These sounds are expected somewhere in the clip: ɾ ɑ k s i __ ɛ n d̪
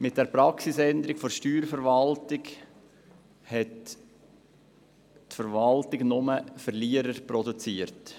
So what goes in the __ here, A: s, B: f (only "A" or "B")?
A